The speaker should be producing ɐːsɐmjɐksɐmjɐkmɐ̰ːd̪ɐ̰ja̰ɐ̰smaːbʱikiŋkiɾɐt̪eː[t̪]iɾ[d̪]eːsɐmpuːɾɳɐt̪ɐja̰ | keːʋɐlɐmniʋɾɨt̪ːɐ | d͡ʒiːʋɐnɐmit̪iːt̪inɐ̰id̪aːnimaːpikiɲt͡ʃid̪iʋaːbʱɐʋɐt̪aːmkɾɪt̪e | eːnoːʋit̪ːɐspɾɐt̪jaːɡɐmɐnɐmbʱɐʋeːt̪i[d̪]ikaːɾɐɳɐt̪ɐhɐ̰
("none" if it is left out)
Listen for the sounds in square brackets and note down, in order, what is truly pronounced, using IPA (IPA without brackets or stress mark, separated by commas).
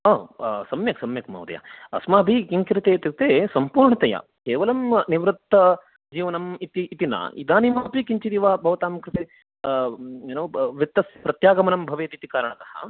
t̪, t̪, t̪